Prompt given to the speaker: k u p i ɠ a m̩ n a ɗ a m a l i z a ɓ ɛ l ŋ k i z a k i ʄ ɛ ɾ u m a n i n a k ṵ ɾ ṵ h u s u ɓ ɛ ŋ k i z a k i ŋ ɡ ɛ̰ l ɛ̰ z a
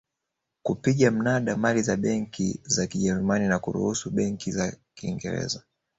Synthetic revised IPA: k u p i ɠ a m̩ n a ɗ a m a l i z a ɓ ɛ ŋ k i z a k i ʄ ɛ ɾ u m a n i n a k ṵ ɾ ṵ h u s u ɓ ɛ ŋ k i z a k i ŋ ɡ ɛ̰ ɾ ɛ̰ z a